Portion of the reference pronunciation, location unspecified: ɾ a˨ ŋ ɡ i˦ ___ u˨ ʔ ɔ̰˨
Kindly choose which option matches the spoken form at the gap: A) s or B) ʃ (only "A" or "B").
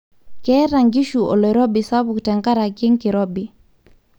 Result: B